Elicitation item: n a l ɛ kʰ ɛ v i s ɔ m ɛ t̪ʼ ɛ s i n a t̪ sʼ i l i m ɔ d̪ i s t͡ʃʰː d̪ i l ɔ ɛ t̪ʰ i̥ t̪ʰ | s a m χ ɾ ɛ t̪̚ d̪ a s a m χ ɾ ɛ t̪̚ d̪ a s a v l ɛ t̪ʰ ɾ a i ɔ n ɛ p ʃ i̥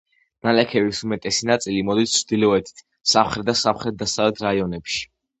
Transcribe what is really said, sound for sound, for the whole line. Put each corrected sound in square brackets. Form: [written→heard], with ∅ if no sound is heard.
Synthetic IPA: n a l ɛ kʰ ɛ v i s [ɔ→u] m ɛ t̪ʼ ɛ s i n a t̪ sʼ i l i m ɔ d̪ i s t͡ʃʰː d̪ i l ɔ ɛ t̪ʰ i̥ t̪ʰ | s a m χ ɾ ɛ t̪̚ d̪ a s a m χ ɾ ɛ t̪̚ d̪ a s a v l ɛ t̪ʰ ɾ a i ɔ n ɛ p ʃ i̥